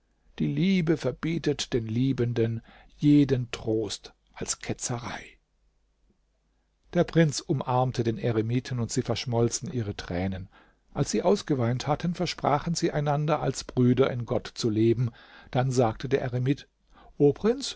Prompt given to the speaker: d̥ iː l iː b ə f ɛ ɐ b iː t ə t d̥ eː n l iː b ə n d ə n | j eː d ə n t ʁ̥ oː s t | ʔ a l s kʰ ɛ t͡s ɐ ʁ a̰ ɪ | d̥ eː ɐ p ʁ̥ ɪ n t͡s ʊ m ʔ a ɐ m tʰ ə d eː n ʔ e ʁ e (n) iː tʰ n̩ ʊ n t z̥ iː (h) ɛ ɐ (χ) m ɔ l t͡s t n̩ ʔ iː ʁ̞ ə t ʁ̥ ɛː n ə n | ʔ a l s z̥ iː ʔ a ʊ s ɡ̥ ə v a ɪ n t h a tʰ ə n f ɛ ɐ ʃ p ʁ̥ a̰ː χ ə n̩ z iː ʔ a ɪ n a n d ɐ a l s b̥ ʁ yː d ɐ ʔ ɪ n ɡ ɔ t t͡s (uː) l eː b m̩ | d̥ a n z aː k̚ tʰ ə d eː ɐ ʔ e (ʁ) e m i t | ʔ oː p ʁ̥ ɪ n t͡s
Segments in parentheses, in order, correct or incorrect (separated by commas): incorrect, incorrect, incorrect, incorrect, correct